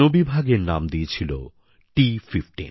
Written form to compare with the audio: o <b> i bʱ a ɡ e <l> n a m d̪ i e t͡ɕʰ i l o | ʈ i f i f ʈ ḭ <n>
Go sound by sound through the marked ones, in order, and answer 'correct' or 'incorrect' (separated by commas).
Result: correct, incorrect, correct